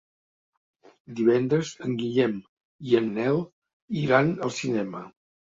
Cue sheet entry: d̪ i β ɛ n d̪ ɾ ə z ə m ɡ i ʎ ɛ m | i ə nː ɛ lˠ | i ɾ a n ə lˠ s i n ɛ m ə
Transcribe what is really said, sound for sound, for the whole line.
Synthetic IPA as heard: d̪ i β ɛ n d̪ ɾ ə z ə ŋ ɡ i ʎ ɛ m | i ə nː ɛ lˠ | i ɾ a n ə lˠ s i n ɛ m ə